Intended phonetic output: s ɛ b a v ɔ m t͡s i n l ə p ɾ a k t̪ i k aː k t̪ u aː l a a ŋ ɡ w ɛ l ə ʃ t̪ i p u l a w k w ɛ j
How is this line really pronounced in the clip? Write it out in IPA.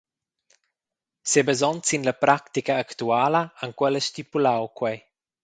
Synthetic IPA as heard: s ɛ b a z ɔ n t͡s i n l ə p ɾ a k t̪ i k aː k t̪ u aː l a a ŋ k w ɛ l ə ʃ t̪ i p u l a w k w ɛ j